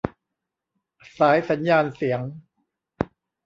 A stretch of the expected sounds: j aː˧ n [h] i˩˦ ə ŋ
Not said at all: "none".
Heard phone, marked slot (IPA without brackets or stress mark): s